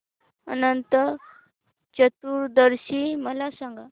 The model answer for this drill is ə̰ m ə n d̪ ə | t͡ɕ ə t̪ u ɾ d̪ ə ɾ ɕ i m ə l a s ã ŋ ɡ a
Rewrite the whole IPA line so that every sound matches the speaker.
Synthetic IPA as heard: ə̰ n ə n t̪ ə | t͡ɕ ə t̪ u ɾ d̪ ə ɾ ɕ i m ə l a s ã ŋ ɡ a